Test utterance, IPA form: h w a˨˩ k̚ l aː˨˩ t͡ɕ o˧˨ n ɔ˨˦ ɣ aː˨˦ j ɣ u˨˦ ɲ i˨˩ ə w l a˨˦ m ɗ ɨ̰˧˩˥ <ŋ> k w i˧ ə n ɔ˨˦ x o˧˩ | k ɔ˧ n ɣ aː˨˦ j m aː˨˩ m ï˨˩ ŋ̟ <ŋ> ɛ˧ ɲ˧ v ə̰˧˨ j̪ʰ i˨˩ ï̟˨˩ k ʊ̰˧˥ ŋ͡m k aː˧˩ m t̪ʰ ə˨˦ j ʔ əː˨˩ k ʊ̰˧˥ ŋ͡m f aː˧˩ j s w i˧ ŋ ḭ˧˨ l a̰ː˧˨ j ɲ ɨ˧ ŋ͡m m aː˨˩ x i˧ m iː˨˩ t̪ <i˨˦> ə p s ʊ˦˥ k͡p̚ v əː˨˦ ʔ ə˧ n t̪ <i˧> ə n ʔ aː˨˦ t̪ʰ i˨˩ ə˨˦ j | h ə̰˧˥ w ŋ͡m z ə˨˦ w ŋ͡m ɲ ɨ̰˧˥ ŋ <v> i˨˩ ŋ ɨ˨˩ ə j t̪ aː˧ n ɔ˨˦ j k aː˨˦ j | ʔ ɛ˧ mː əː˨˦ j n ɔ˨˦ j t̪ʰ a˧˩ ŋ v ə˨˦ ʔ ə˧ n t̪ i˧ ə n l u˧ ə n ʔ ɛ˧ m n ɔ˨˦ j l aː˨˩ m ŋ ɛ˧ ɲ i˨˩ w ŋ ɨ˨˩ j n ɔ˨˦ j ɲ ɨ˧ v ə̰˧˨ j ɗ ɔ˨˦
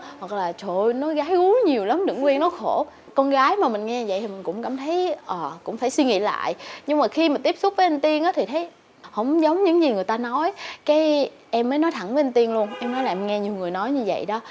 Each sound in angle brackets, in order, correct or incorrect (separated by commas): correct, correct, incorrect, correct, incorrect